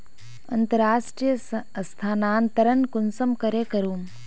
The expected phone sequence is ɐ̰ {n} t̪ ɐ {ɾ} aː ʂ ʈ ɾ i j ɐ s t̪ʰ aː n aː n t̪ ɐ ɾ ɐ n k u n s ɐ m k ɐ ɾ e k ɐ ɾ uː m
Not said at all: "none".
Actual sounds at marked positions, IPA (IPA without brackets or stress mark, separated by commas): n, ɾ